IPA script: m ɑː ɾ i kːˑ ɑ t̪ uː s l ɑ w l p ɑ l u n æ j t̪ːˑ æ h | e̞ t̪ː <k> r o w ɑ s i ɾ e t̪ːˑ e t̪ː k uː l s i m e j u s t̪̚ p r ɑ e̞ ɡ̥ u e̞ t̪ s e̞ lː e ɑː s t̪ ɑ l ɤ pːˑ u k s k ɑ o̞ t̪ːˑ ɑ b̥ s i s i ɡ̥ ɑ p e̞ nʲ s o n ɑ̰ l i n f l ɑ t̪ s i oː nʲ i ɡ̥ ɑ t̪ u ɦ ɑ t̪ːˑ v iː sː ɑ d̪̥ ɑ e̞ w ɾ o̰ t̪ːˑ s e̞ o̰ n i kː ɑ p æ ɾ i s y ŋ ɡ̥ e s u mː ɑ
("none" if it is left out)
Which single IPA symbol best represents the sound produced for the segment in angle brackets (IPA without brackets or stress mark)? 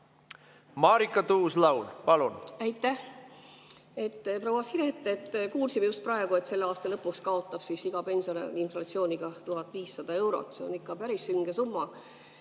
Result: p